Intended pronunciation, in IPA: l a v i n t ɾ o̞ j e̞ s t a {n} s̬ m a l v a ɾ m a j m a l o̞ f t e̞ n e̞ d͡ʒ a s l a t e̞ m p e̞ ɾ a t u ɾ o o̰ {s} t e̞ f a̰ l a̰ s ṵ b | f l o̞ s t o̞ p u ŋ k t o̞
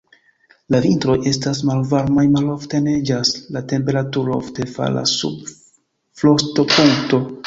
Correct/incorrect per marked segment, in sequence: incorrect: none, incorrect: f

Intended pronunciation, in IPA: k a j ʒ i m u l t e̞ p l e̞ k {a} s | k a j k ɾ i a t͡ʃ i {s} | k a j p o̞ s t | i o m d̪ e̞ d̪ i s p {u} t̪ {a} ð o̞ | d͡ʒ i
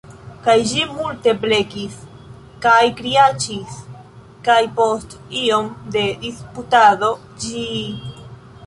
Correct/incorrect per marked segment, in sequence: incorrect: i, correct, correct, correct

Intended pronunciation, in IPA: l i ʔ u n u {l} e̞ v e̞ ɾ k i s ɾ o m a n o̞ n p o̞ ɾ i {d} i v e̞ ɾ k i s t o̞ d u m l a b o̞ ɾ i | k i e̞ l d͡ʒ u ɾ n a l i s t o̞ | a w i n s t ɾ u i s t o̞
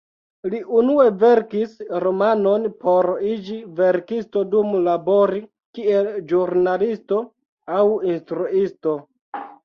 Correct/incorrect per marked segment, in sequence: incorrect: none, incorrect: d͡ʒ

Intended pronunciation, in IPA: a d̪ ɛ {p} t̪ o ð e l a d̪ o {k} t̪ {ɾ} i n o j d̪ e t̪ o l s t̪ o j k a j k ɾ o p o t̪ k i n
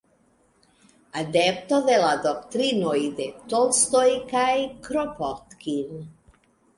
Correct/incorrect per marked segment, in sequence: correct, correct, correct

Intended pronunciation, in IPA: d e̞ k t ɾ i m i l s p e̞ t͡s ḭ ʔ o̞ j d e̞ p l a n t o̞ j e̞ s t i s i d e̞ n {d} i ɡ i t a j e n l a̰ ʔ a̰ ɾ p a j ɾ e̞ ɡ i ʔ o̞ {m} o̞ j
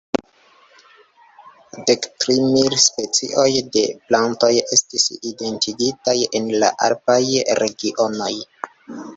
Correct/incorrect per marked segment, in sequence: incorrect: t, incorrect: n

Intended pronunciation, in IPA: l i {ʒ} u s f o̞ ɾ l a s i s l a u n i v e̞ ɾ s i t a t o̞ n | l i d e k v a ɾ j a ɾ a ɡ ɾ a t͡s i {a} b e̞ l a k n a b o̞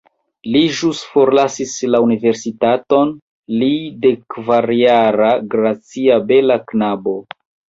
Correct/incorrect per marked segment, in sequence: correct, correct

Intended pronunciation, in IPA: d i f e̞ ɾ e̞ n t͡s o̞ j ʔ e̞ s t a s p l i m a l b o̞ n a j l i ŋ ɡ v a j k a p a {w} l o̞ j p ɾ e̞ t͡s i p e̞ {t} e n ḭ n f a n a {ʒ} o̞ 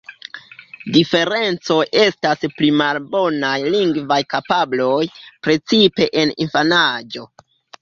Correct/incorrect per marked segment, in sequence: incorrect: b, incorrect: ʔ, incorrect: d͡ʒ

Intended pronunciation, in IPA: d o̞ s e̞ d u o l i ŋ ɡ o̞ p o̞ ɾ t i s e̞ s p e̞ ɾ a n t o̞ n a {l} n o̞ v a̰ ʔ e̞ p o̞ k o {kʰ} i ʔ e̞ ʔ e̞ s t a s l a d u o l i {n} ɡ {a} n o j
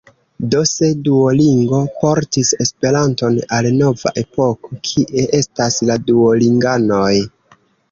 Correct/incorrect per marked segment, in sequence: correct, correct, incorrect: ŋ, correct

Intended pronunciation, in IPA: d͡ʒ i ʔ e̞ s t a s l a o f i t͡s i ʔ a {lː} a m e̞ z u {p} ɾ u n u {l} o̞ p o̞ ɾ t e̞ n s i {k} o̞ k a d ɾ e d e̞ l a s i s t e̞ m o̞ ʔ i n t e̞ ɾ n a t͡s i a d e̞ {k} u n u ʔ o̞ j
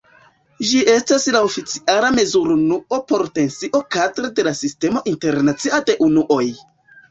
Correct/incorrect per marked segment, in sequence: incorrect: l, incorrect: none, incorrect: none, incorrect: ʔ, incorrect: ʔ

